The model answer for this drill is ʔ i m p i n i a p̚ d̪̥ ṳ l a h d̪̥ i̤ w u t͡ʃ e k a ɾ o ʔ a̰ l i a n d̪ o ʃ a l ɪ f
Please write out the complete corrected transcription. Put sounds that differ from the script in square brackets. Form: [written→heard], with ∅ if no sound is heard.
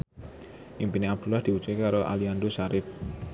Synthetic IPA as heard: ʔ i m p i n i a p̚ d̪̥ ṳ l a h d̪̥ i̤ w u t͡ʃ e k a ɾ o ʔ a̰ l i a n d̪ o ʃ a [l→ɾ] ɪ f